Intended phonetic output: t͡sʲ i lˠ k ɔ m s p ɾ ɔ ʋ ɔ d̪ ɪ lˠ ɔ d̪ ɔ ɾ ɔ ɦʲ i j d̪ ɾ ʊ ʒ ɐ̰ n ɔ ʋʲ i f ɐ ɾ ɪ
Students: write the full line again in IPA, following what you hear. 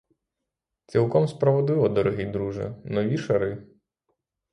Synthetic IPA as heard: t͡sʲ i lˠ k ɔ m s p ɾ ɔ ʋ ɔ d̪ ɪ lˠ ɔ d̪ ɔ ɾ ɔ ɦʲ i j d̪ ɾ u ʒ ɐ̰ n ɔ ʋʲ i ʃ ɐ ɾ ɪ

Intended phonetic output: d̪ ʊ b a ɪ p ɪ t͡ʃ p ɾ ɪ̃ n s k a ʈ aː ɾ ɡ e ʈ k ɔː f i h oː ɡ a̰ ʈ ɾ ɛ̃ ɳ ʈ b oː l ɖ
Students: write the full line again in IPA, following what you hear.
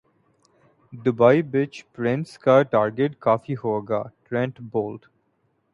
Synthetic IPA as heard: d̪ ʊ b a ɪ b ɪ t͡ʃ p ɾ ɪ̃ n s k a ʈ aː ɾ ɡ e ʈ k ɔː f i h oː ɡ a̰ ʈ ɾ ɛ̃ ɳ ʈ b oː l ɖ

